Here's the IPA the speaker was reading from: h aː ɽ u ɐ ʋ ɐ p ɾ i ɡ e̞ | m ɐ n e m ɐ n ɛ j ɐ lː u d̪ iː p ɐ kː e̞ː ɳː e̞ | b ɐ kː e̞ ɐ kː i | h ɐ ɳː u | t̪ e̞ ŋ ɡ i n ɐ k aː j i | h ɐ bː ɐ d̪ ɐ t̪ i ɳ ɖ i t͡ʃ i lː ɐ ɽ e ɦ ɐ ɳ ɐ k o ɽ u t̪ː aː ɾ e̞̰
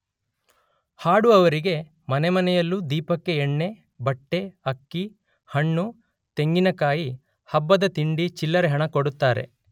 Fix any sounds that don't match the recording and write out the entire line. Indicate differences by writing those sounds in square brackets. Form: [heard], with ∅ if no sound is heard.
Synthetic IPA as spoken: h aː ɽ u ɐ ʋ ɐ [∅] ɾ i ɡ e̞ | m ɐ n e m ɐ n ɛ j ɐ lː u d̪ iː p ɐ kː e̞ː ɳː e̞ | b ɐ [ʈː] e̞ ɐ kː i | h ɐ ɳː u | t̪ e̞ ŋ ɡ i n ɐ k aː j i | h ɐ bː ɐ d̪ ɐ t̪ i ɳ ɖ i t͡ʃ i lː ɐ [ɾ] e ɦ ɐ ɳ ɐ k o ɽ u t̪ː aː ɾ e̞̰